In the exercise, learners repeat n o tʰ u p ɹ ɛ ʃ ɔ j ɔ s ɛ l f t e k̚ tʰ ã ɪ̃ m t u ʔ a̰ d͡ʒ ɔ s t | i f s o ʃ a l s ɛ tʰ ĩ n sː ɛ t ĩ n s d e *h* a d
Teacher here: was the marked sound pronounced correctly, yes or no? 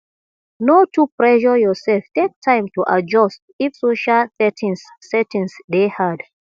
yes